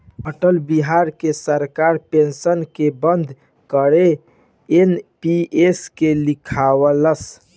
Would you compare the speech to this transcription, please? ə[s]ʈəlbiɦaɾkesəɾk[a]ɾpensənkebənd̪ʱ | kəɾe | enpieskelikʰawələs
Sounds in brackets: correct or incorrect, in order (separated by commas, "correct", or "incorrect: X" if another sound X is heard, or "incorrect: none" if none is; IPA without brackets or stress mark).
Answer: incorrect: none, correct